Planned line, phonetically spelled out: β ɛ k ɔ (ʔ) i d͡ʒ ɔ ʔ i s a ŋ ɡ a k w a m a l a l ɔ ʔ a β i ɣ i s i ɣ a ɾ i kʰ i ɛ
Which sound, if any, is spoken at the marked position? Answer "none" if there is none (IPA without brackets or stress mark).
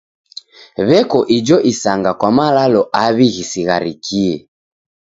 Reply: ʔ